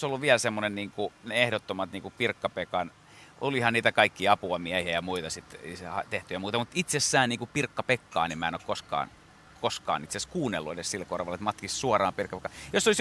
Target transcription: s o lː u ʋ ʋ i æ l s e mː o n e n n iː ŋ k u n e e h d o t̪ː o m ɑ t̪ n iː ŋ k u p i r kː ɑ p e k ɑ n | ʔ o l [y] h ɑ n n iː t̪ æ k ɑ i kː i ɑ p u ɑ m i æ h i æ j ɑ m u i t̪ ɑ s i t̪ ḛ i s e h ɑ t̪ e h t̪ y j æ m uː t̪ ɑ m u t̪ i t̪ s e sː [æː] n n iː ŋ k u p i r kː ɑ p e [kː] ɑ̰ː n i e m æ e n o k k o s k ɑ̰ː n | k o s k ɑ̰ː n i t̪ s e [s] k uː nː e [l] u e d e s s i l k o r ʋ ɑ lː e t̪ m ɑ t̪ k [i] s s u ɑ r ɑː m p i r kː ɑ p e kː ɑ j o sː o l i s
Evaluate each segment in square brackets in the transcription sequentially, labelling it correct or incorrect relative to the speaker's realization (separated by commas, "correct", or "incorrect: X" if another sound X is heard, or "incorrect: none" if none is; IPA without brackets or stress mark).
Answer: incorrect: i, correct, correct, correct, incorrect: lː, correct